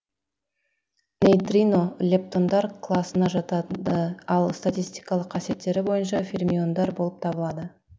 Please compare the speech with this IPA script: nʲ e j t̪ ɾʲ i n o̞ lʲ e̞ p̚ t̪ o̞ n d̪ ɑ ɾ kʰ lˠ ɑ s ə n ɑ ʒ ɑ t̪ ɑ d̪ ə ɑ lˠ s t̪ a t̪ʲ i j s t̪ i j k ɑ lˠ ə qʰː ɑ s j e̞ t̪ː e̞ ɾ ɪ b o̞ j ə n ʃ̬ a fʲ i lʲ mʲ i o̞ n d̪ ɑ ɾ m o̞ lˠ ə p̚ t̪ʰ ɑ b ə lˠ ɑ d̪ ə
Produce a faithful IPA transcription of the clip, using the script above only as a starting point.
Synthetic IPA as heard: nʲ e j t̪ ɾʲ i n o̞ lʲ e̞ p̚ t̪ o̞ n d̪ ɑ ɾ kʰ lˠ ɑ s ə n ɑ ʒ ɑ t̪ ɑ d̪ ə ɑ lˠ s t̪ a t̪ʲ i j s t̪ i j k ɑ lˠ ə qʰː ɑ s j e̞ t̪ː e̞ ɾ ɪ b o̞ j ə n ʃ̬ ɑ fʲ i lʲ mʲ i o̞ n d̪ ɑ ɾ b o̞ lˠ ə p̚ t̪ʰ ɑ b ə lˠ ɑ d̪ ə